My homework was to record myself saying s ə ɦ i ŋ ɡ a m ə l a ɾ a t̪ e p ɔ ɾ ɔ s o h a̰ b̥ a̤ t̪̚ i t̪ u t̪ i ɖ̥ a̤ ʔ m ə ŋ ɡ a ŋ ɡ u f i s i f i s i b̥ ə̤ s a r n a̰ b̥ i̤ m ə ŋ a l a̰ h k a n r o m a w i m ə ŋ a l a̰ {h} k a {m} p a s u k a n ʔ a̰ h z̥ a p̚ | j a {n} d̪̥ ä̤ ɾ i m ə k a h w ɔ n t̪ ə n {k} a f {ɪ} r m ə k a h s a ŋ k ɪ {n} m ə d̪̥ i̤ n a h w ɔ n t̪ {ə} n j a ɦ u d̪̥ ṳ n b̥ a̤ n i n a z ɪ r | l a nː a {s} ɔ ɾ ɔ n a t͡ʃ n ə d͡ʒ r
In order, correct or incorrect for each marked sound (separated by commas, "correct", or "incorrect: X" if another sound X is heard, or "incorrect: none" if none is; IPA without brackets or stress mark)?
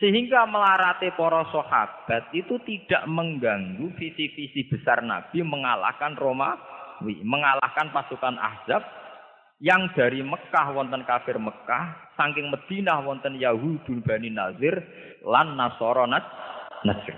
correct, incorrect: n, incorrect: ŋ, correct, correct, incorrect: ŋ, correct, correct